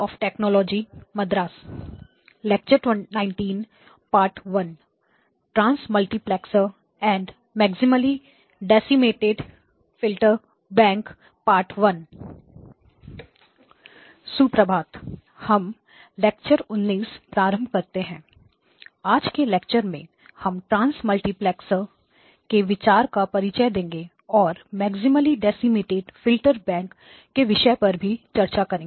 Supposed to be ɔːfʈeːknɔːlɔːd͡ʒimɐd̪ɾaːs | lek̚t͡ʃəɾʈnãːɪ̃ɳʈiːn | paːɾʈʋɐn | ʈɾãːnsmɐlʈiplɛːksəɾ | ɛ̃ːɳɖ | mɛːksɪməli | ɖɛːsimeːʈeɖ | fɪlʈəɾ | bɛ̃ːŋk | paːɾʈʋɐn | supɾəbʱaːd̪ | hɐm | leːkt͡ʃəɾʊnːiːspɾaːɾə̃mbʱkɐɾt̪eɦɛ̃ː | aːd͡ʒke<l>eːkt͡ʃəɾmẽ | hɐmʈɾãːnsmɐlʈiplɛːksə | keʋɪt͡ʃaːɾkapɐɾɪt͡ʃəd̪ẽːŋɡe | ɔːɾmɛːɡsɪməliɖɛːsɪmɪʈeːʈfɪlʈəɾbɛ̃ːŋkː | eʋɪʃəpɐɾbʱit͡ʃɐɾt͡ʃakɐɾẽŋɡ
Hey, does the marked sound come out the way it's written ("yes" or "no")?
yes